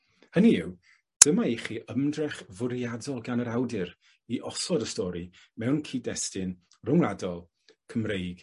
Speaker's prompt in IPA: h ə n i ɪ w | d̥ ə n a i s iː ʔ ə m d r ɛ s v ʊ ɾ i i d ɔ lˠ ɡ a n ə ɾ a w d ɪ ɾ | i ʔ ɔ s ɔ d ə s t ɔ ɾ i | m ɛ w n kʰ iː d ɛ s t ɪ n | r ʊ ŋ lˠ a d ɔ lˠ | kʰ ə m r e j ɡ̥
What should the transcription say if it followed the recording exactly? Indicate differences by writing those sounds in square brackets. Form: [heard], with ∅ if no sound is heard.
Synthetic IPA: h ə n i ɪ w | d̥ ə [m] a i [χ] iː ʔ ə m d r ɛ [χ] v ʊ ɾ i [a] d ɔ lˠ ɡ a n ə ɾ a w d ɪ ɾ | i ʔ ɔ s ɔ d ə s t ɔ ɾ i | m ɛ w n kʰ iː d ɛ s t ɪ n | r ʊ ŋ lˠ a d ɔ lˠ | kʰ ə m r e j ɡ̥